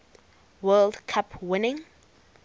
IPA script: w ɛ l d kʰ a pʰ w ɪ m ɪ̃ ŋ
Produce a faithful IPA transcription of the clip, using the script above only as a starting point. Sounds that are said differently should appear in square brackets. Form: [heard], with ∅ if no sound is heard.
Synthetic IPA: w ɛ l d kʰ a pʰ w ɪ [n] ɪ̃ ŋ